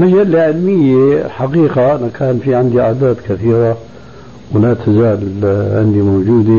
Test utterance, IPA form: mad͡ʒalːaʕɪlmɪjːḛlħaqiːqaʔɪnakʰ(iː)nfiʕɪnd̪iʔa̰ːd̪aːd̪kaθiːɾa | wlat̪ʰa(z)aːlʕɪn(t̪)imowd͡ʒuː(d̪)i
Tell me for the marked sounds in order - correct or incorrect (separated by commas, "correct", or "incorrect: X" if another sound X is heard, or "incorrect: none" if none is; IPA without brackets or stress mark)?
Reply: incorrect: aː, correct, incorrect: d̪, correct